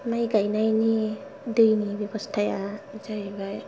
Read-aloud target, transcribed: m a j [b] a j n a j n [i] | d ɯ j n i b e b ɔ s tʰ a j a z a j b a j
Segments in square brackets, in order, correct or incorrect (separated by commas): incorrect, correct